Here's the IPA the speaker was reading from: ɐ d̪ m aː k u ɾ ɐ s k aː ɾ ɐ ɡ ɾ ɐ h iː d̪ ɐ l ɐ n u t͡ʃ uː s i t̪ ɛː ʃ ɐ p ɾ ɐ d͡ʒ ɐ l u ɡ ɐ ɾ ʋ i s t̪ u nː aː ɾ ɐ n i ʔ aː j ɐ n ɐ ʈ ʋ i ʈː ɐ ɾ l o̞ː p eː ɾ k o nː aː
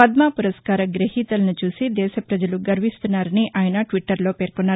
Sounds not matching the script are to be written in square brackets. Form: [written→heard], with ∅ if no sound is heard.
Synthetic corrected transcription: ɐ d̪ m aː [k→p] u ɾ ɐ s k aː ɾ ɐ ɡ ɾ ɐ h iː [d̪→t̪] ɐ l ɐ n u t͡ʃ uː s i [t̪→d̪] ɛː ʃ ɐ p ɾ ɐ d͡ʒ ɐ l u ɡ ɐ ɾ ʋ i s t̪ u nː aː ɾ ɐ n i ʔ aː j ɐ n ɐ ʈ ʋ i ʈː ɐ ɾ l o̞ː p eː ɾ k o nː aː